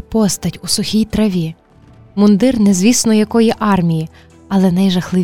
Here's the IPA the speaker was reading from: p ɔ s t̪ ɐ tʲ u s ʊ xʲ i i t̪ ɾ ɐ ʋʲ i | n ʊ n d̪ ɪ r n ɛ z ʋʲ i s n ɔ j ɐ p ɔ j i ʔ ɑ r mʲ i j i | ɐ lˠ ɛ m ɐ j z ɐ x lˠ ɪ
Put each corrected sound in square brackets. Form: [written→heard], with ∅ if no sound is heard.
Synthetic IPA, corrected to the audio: p ɔ s t̪ ɐ tʲ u s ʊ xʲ i [i→j] t̪ ɾ ɐ ʋʲ i | [n→m] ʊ n d̪ ɪ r n ɛ z ʋʲ i s n ɔ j ɐ [p→k] ɔ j i ʔ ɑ r mʲ i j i | ɐ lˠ ɛ [m→n] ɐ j [z→ʒ] ɐ x lˠ ɪ